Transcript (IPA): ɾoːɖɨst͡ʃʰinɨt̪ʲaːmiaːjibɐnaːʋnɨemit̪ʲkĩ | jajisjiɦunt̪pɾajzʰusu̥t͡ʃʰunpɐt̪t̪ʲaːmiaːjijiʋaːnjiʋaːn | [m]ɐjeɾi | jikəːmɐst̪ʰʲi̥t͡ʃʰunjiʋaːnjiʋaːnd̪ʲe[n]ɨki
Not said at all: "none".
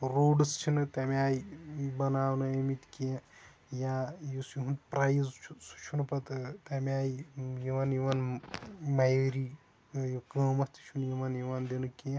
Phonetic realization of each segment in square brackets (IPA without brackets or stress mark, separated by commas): m, n